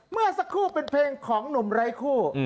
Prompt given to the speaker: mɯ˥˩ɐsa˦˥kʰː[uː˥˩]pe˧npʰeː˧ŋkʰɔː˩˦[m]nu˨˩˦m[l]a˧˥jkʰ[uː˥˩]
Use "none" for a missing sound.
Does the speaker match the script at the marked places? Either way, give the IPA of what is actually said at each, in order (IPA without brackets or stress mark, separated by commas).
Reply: uː˥˩, ŋ, ɾ, uː˥˩